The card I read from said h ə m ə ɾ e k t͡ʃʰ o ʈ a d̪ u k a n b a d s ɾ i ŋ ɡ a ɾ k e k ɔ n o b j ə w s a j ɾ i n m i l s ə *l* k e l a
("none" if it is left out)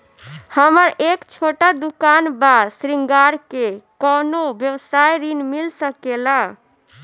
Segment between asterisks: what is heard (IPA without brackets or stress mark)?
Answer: none